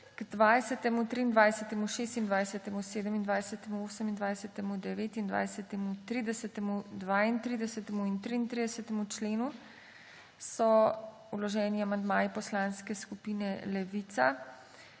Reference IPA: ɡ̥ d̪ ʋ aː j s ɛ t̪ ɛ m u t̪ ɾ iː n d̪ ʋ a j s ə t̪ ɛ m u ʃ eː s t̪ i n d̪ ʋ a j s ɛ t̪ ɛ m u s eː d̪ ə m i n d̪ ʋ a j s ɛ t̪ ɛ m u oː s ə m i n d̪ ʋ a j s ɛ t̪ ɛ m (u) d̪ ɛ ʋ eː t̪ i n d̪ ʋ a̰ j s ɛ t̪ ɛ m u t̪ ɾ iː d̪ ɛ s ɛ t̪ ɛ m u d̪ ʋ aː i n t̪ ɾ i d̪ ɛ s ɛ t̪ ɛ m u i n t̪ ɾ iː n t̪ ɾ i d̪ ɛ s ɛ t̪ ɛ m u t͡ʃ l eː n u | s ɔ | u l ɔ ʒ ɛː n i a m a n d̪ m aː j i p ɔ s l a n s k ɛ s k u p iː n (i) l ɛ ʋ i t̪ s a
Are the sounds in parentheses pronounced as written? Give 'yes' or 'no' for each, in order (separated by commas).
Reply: yes, no